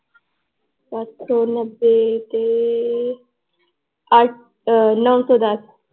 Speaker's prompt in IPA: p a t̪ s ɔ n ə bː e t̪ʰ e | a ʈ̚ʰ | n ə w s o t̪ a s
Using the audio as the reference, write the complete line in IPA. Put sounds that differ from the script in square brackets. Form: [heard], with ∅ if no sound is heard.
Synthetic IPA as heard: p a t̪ s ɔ n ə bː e [t̪] e | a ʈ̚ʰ | n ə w s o [d̪] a s